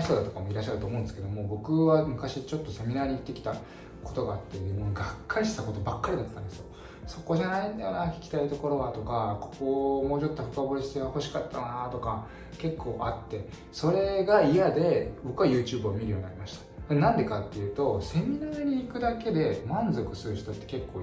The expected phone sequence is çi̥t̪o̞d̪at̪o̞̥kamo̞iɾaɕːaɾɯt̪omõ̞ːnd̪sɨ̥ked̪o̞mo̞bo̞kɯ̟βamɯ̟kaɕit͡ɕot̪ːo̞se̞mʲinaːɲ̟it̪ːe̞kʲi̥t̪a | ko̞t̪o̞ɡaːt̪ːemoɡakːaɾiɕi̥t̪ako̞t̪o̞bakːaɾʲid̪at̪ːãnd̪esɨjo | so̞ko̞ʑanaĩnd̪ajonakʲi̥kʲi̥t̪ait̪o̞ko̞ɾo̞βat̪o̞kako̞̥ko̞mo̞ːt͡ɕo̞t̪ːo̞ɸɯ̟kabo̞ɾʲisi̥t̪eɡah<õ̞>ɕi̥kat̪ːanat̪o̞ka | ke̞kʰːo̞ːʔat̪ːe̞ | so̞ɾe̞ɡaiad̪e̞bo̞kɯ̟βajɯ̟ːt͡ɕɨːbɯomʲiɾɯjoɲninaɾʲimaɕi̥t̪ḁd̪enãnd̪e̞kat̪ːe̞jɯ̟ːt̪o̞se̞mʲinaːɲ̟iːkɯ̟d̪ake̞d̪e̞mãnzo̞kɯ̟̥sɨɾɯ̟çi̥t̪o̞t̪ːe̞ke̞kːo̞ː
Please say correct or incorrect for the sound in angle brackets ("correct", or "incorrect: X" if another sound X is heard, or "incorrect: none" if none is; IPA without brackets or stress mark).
incorrect: o̞